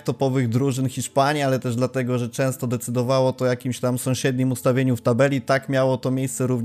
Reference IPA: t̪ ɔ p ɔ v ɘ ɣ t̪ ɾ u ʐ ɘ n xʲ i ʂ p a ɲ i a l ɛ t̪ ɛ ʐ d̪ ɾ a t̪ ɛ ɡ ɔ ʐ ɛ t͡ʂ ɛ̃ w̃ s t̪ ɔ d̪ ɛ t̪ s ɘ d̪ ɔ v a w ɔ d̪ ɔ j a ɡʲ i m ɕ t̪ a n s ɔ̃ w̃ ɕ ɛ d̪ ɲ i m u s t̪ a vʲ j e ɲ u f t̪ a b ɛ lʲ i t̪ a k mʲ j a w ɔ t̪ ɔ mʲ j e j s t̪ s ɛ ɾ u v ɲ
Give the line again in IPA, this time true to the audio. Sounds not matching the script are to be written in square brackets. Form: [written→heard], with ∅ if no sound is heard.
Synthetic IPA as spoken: t̪ ɔ p ɔ v ɘ ɣ [t̪→d̪] ɾ u ʐ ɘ n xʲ i ʂ p a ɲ i a l ɛ t̪ ɛ ʐ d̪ [ɾ→l] a t̪ ɛ ɡ ɔ ʐ ɛ t͡ʂ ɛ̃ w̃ s t̪ ɔ d̪ ɛ t̪ s ɘ d̪ ɔ v a w ɔ [d̪→t̪] ɔ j a [ɡʲ→kʲ] i m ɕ t̪ a [n→m] s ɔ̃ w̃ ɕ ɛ d̪ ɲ i m u s t̪ a vʲ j e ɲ u f t̪ a b ɛ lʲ i t̪ a k mʲ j a w ɔ t̪ ɔ mʲ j e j s t̪ s ɛ ɾ u v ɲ